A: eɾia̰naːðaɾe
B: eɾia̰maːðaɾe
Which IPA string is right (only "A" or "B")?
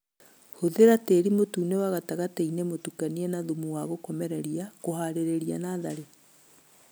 A